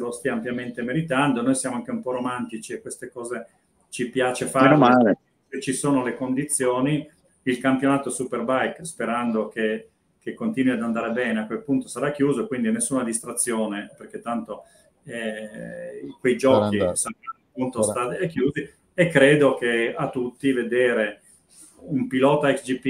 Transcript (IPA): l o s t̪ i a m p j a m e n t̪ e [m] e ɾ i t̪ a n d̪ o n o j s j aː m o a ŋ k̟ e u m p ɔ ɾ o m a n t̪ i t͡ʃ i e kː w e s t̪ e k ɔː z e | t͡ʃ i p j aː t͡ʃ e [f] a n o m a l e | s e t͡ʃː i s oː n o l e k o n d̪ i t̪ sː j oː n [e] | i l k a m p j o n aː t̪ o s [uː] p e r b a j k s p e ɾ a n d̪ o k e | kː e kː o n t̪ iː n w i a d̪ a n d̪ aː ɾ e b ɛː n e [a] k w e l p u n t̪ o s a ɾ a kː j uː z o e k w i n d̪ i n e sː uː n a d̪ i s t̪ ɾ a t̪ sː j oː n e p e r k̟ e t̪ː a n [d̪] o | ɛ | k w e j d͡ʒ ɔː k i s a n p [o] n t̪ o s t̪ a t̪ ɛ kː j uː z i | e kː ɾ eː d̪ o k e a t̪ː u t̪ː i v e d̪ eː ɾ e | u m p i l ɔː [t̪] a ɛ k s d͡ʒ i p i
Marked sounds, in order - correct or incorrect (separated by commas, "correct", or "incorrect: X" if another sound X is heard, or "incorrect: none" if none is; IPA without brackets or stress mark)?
correct, correct, incorrect: i, incorrect: u, correct, incorrect: t̪, incorrect: u, correct